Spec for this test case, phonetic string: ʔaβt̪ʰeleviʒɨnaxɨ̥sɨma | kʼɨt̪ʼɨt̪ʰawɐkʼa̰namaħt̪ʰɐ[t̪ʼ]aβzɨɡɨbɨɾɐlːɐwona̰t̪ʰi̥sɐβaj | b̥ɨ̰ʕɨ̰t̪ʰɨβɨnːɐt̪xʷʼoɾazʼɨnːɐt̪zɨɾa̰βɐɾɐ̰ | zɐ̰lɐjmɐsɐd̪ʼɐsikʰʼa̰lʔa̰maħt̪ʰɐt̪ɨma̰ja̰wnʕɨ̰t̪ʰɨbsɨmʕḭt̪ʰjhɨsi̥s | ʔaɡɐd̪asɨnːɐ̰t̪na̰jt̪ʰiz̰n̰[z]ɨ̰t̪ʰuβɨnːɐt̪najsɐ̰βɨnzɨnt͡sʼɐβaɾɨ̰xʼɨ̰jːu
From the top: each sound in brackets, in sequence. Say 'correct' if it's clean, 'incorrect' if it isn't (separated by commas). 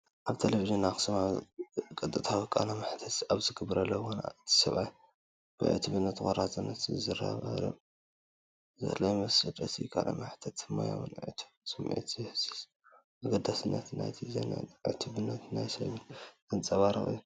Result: incorrect, incorrect